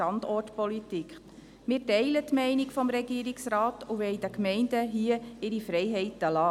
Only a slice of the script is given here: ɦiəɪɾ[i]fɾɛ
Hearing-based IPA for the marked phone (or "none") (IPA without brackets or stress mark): i